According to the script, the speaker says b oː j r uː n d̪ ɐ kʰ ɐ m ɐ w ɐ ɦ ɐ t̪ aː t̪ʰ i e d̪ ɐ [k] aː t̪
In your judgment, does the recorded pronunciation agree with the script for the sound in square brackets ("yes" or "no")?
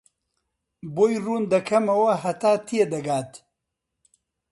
no